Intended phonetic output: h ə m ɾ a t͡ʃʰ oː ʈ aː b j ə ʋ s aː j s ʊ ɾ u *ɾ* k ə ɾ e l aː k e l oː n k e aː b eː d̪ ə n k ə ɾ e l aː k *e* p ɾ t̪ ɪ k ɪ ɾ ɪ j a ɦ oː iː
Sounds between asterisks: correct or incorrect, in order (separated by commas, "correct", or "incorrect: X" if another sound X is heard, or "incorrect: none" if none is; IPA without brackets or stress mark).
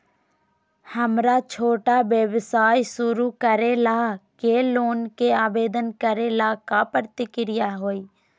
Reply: incorrect: none, incorrect: a